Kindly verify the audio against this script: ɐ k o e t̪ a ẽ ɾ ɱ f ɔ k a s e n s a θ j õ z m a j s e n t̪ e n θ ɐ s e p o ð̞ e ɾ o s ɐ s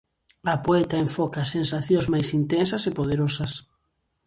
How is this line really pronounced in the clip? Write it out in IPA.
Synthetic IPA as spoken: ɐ p o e t̪ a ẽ ɱ f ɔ k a s e n s a θ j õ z m a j s i n t̪ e n s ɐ s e p o ð̞ e ɾ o s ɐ s